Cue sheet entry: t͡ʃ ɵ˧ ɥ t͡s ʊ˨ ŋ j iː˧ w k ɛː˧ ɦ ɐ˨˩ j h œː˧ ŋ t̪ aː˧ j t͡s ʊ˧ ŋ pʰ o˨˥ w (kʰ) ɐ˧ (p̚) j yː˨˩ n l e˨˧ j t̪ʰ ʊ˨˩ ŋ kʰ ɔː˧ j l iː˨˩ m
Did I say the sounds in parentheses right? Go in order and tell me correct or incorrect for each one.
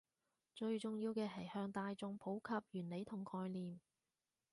correct, correct

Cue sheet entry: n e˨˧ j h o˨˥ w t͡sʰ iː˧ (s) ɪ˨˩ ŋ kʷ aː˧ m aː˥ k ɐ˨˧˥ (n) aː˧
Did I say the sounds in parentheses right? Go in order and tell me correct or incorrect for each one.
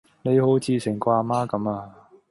correct, incorrect

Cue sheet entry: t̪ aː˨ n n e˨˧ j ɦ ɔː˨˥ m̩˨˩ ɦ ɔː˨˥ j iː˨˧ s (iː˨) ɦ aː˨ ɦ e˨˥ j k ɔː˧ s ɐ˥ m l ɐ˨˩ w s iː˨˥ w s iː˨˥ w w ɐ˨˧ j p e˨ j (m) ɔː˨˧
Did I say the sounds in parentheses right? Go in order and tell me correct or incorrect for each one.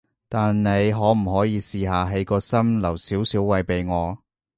correct, incorrect

